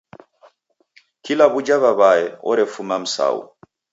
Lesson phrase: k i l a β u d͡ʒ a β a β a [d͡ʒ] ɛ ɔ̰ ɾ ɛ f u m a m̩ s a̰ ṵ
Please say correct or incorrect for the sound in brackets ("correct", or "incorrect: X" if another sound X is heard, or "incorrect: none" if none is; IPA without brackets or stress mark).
incorrect: none